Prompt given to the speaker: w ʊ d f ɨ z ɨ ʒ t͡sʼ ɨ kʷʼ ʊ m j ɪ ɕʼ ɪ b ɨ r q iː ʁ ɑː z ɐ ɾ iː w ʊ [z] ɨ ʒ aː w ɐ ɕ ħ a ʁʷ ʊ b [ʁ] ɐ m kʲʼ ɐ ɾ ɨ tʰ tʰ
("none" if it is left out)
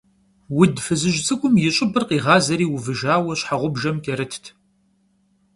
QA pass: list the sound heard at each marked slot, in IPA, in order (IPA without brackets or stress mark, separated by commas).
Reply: v, ʒ